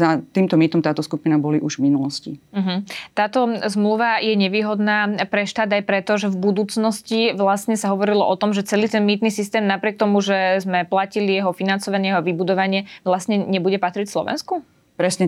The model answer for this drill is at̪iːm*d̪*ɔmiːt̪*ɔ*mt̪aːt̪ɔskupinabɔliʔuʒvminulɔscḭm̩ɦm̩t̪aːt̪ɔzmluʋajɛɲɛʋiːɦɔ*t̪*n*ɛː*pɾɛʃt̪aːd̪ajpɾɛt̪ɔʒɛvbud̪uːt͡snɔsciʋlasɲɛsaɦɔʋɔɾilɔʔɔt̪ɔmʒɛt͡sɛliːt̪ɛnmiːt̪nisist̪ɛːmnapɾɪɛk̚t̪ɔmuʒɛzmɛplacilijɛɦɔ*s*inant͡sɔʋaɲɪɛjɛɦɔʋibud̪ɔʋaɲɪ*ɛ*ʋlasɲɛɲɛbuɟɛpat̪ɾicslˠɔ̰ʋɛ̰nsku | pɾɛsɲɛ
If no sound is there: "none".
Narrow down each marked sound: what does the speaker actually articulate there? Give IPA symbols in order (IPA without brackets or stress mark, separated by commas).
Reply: t̪, ɔ, d̪, aː, f, ɛ